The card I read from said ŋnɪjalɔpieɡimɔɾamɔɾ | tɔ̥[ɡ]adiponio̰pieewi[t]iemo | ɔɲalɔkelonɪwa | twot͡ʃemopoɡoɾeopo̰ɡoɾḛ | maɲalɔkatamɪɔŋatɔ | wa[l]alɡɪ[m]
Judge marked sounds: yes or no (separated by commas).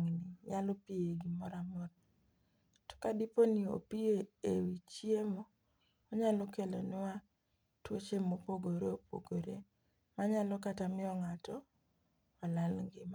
no, no, yes, yes